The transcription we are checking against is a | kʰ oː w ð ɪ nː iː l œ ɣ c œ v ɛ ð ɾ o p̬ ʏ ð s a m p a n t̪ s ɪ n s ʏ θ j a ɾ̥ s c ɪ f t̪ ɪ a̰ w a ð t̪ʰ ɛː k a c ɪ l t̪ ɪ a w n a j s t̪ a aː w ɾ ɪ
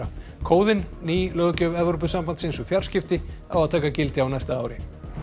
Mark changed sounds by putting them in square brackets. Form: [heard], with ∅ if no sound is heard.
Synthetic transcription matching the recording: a | kʰ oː w ð ɪ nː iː l œ ɣ c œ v ɛ [v] ɾ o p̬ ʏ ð s a m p a n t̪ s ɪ n s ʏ [f] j a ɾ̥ s c ɪ f t̪ ɪ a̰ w a ð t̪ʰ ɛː k a c ɪ l t̪ ɪ a w n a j s t̪ a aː w ɾ ɪ